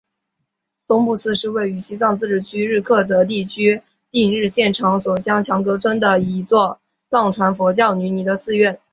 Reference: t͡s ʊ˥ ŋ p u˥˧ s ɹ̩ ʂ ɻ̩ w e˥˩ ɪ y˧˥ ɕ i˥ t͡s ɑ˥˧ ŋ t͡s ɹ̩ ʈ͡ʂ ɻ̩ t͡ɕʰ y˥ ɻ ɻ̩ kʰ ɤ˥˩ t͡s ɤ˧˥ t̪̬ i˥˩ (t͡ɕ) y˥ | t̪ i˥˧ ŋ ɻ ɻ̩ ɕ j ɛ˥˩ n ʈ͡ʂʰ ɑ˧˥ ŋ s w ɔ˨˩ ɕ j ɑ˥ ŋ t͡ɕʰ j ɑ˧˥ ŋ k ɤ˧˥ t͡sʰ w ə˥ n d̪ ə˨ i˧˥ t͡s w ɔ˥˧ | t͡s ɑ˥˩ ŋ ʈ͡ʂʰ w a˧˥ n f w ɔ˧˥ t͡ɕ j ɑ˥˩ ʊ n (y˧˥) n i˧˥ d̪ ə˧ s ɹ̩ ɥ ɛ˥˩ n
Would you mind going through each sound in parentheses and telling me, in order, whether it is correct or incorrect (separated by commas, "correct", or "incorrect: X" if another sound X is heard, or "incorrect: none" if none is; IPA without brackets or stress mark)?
incorrect: t͡ɕʰ, correct